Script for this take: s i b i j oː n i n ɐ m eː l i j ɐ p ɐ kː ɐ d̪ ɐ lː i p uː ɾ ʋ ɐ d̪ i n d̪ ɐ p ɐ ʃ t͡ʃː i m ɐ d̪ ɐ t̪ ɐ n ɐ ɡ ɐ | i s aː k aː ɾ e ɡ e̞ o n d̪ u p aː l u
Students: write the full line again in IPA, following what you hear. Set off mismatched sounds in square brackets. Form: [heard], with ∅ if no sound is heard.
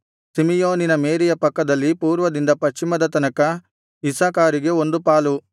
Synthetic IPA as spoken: s i [m] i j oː n i n ɐ m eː [ɾ] i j ɐ p ɐ kː ɐ d̪ ɐ lː i p uː ɾ ʋ ɐ d̪ i n d̪ ɐ p ɐ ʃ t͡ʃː i m ɐ d̪ ɐ t̪ ɐ n ɐ [k] ɐ | i s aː k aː ɾ [i] ɡ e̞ o n d̪ u p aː l u